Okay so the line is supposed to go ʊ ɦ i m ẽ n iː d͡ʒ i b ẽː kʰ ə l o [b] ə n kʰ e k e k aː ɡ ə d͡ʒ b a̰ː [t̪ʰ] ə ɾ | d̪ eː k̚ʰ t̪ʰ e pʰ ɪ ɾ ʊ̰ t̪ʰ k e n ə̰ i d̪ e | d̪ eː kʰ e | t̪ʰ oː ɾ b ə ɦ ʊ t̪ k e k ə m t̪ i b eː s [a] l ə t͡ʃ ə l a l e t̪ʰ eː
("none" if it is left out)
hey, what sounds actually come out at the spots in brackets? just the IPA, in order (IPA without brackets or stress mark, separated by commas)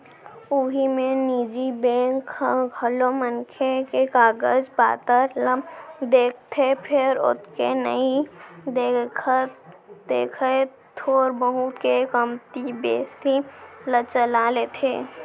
m, t̪, i